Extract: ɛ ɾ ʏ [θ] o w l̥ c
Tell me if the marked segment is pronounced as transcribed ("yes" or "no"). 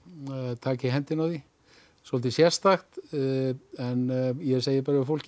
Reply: no